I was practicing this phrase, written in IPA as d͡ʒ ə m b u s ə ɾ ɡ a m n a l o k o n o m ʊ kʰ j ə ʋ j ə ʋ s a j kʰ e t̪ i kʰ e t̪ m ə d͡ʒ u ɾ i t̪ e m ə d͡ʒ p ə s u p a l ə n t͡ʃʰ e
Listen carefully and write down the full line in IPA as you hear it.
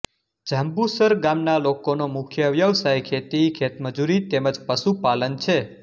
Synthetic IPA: d͡ʒ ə m b u s ə ɾ ɡ a m n a l o k o n o m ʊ kʰ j ə ʋ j ə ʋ s a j kʰ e t̪ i kʰ e t̪ m ə d͡ʒ u ɾ i t̪ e m ə d͡ʒ p ə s u p a l ə n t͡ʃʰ e